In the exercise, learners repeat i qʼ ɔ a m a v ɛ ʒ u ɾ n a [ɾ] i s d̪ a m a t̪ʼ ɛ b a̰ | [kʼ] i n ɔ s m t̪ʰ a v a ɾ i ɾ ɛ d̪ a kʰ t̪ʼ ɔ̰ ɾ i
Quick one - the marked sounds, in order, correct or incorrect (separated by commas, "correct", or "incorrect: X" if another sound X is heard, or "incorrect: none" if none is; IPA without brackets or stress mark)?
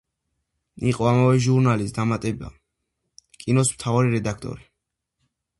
incorrect: l, correct